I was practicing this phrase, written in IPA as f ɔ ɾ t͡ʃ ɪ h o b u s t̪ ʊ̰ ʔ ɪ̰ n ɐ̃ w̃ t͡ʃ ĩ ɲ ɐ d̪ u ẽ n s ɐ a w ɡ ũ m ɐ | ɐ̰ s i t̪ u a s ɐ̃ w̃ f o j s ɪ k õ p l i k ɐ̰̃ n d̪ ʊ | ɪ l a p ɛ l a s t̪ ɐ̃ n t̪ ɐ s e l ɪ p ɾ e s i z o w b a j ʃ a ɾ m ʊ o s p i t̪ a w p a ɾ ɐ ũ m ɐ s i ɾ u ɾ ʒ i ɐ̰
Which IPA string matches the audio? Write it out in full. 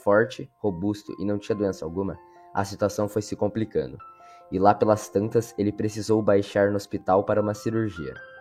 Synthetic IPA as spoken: f ɔ ɾ t͡ʃ ɪ h o b u s t̪ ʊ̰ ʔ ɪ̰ n ɐ̃ w̃ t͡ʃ ĩ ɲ ɐ d̪ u ẽ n s ɐ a w ɡ ũ m ɐ | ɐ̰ s i t̪ u a s ɐ̃ w̃ f o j s ɪ k õ p l i k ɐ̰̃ n d̪ ʊ | ɪ l a p e l ɐ s t̪ ɐ̃ n t̪ ɐ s e l ɪ p ɾ e s i z o w b a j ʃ a ɾ n ʊ o s p i t̪ a w p a ɾ ɐ ũ m ɐ s i ɾ u ɾ ʒ i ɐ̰